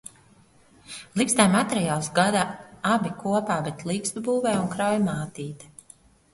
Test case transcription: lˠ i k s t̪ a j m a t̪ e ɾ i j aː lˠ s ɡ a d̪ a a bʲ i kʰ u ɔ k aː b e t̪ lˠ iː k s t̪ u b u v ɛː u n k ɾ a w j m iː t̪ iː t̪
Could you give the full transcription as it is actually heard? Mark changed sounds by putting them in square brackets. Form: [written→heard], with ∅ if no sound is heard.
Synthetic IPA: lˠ i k s t̪ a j m a t̪ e ɾ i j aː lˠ s ɡ a d̪ a a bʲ i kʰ u ɔ [k→p] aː b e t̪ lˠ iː k s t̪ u b [u→uː] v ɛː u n k ɾ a w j m [iː→aː] t̪ iː t̪

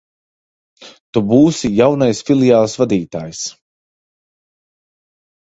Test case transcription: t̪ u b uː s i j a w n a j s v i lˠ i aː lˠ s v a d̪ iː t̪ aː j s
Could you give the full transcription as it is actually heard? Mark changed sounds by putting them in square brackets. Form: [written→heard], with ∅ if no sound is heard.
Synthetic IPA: t̪ u b uː s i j a w n a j s [v→f] i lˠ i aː lˠ s v a d̪ iː t̪ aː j s

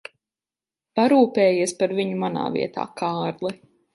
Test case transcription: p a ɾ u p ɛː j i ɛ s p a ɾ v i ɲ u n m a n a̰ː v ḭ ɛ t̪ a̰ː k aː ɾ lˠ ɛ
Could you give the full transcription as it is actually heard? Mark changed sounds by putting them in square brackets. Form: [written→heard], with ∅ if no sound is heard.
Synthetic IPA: p a ɾ [u→uː] p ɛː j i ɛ s p a ɾ v i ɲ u [n→∅] m a n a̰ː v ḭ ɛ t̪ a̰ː k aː ɾ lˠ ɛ

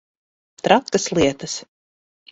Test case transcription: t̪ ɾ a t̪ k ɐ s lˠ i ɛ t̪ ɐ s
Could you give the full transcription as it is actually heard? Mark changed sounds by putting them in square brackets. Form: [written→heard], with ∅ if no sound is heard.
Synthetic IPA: t̪ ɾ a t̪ k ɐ s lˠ i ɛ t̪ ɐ s

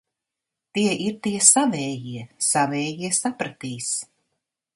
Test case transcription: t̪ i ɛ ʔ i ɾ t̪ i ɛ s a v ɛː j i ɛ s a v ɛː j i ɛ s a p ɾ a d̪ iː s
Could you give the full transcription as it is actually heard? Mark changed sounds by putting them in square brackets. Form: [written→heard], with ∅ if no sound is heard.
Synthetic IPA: t̪ i ɛ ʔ i ɾ t̪ i ɛ s a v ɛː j i ɛ s a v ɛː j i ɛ s a p ɾ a [d̪→t̪] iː s

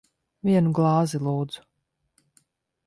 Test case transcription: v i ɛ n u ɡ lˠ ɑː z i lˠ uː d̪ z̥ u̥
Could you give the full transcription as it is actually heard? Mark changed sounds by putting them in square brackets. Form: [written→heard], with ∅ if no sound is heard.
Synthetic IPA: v i ɛ n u ɡ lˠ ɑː z i lˠ uː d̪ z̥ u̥

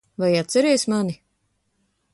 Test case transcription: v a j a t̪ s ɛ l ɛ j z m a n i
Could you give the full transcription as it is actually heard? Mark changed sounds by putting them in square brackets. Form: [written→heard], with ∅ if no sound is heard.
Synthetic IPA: v a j a t̪ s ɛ [l→ɾ] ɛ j [z→s] m a n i

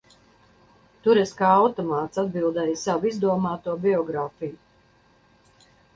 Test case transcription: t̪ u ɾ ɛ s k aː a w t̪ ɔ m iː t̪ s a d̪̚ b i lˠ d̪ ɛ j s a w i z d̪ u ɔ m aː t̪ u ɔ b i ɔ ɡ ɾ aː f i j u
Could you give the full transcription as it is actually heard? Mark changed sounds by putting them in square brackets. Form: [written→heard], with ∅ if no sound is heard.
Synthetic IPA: t̪ u ɾ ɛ s k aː a w t̪ ɔ m [iː→aː] t̪ s a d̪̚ b i lˠ d̪ ɛ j s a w i z d̪ u ɔ m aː t̪ u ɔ b i ɔ ɡ ɾ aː f i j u

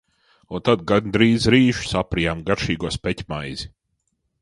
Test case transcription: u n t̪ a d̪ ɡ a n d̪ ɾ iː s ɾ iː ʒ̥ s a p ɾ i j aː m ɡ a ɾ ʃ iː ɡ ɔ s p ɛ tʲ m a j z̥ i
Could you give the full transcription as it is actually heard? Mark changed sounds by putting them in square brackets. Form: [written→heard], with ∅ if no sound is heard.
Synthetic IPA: u n t̪ a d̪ ɡ a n d̪ ɾ iː [s→z] ɾ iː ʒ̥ s a p ɾ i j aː m ɡ a ɾ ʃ iː ɡ ɔ s p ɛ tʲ m a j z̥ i

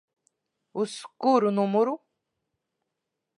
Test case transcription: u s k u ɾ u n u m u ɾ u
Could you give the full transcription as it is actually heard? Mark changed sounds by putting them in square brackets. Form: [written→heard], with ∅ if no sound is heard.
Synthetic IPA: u s k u ɾ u n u m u ɾ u

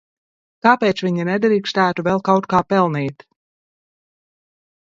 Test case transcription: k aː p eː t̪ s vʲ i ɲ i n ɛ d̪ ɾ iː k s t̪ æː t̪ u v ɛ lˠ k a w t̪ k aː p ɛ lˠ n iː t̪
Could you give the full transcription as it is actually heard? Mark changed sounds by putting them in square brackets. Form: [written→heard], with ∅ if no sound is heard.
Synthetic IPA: k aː p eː t̪ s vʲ i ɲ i n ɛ d̪ ɾ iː k s t̪ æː t̪ u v ɛ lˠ k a w t̪ k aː p ɛ lˠ n iː t̪

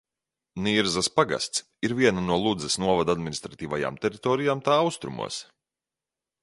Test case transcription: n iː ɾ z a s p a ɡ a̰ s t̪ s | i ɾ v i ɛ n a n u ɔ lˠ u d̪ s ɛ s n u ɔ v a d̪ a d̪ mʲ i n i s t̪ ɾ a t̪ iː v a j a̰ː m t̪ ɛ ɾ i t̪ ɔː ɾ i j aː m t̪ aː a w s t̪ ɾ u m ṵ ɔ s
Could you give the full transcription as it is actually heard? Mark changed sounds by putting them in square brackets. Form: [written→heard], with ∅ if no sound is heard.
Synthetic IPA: n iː ɾ z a s p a ɡ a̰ s t̪ s | i ɾ v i ɛ n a n u ɔ lˠ u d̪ [s→z] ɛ s n u ɔ v a d̪ a d̪ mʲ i n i s t̪ ɾ a t̪ iː v a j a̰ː m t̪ ɛ ɾ i t̪ ɔː ɾ i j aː m t̪ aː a w s t̪ ɾ u m ṵ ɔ s

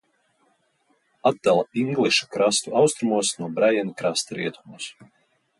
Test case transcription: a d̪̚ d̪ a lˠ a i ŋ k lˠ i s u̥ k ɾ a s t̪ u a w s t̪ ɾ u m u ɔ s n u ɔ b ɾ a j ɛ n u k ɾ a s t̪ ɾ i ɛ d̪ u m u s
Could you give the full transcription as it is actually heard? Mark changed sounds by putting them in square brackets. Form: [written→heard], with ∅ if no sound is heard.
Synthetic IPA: a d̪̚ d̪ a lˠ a i ŋ [k→ɡ] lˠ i [s→ʃ] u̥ k ɾ a s t̪ u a w s t̪ ɾ u m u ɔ s n u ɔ b ɾ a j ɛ n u k ɾ a s t̪ ɾ i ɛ [d̪→t̪] u m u s

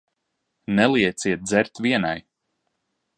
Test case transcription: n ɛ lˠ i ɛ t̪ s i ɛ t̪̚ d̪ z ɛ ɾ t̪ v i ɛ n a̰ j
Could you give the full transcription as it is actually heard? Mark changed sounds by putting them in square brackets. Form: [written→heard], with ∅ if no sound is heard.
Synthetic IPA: n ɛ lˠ i ɛ t̪ s i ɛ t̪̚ d̪ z ɛ ɾ t̪ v i ɛ n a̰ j

